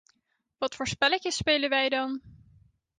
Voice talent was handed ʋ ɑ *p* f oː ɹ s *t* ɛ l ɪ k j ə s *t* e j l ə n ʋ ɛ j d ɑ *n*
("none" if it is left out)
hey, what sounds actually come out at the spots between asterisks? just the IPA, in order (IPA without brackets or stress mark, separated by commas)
t, p, p, n